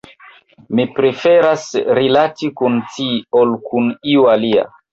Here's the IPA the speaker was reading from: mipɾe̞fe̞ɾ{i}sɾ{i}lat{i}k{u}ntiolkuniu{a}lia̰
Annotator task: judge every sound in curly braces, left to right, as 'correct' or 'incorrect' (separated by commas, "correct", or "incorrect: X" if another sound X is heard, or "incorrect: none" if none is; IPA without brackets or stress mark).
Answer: incorrect: a, correct, correct, correct, correct